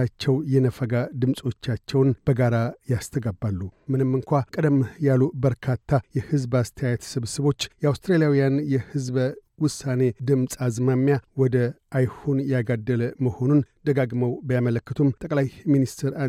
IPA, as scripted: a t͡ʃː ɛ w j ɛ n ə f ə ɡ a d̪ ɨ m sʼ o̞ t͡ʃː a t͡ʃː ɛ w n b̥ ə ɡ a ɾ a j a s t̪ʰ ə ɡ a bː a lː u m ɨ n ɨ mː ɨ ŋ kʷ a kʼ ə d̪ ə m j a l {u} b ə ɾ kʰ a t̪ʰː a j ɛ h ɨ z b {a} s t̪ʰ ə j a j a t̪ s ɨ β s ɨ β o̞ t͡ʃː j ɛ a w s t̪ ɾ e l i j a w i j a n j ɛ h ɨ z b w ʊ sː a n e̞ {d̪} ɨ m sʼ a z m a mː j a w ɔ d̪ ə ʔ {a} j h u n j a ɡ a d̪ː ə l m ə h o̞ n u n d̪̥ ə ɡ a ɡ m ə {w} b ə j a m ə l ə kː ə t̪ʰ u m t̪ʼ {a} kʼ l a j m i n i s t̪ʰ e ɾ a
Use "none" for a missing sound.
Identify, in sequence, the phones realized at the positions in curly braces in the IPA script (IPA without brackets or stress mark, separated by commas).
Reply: u, a, d̪, a, w, ə